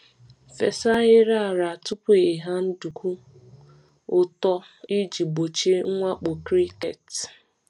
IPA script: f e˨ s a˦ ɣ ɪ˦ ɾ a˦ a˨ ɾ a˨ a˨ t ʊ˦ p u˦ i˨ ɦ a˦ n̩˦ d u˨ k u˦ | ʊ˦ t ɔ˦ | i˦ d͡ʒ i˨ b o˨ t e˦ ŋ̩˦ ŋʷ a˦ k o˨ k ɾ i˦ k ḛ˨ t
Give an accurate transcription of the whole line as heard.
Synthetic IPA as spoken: f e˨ s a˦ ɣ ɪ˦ ɾ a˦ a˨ ɾ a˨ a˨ t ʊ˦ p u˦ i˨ ɦ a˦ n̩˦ d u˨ k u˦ | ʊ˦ t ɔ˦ | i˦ d͡ʒ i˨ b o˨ t͡ʃ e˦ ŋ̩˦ ŋʷ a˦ k͡p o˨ k ɾ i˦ k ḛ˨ t